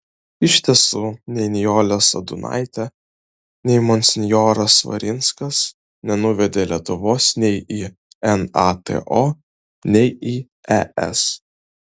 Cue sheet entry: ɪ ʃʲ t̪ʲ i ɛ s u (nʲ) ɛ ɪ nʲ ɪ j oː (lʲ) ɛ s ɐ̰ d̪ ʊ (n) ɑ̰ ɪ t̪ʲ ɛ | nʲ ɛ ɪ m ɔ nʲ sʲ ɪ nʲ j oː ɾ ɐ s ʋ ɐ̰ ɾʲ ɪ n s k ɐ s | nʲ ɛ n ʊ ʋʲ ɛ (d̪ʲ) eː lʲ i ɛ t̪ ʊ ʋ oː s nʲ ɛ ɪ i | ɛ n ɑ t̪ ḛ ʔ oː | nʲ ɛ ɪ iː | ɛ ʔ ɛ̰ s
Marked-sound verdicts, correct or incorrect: correct, correct, correct, correct

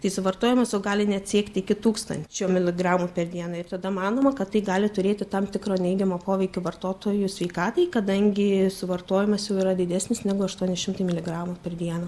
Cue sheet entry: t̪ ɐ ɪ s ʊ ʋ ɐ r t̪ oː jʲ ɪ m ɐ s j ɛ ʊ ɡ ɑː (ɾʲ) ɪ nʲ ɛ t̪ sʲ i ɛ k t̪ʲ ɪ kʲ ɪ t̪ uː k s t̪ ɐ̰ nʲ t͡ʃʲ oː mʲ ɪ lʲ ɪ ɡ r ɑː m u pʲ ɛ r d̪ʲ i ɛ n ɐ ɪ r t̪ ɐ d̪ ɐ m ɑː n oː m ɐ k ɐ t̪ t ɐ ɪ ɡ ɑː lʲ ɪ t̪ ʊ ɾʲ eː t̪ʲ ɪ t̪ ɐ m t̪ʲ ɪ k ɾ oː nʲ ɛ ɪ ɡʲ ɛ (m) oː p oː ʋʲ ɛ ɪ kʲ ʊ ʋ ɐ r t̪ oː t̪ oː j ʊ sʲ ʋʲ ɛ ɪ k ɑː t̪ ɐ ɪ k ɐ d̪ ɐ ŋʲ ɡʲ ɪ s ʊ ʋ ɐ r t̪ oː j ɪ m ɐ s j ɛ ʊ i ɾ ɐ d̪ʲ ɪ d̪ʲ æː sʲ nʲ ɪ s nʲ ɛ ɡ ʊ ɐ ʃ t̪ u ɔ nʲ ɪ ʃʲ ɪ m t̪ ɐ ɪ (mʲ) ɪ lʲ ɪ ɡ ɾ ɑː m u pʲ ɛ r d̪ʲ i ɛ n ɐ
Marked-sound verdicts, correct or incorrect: incorrect: lʲ, correct, correct

